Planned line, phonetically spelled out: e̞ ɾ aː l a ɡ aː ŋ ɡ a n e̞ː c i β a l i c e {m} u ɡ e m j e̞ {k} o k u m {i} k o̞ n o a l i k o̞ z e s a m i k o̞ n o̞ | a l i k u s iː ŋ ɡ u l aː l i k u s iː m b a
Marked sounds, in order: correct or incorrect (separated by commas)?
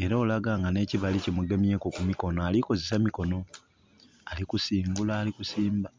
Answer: correct, correct, correct